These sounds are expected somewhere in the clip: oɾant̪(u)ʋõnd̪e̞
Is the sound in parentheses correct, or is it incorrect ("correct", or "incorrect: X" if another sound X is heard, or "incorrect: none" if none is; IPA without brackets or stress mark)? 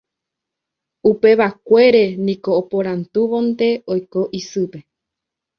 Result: correct